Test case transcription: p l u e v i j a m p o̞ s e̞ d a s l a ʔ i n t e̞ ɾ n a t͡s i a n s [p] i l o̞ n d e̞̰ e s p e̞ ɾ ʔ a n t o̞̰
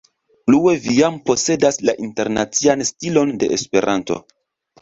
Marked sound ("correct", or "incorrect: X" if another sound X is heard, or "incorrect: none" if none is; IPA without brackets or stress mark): incorrect: t